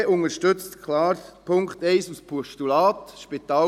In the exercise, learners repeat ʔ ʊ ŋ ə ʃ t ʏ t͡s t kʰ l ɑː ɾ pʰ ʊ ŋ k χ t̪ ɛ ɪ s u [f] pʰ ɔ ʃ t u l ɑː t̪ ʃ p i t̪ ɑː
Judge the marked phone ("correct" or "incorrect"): incorrect